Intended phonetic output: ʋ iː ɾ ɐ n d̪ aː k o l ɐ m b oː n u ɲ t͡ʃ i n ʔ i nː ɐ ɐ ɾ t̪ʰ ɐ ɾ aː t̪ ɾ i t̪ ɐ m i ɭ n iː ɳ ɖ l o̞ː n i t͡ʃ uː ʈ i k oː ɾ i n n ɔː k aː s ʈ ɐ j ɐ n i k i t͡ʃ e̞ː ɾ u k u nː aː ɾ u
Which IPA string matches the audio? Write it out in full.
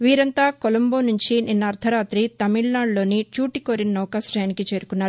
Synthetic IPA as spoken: ʋ iː ɾ ɐ n t̪ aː k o l ɐ m b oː n u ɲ t͡ʃ i n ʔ i nː ɐ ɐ ɾ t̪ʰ ɐ ɾ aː t̪ ɾ i t̪ ɐ m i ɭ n aː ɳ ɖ l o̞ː n i t͡ʃ uː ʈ i k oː ɾ i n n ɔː k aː s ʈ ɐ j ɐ n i k i t͡ʃ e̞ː ɾ u k u nː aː ɾ u